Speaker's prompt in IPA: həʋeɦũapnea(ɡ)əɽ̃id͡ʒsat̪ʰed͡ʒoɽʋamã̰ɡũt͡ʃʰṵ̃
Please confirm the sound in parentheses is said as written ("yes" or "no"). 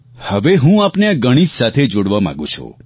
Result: yes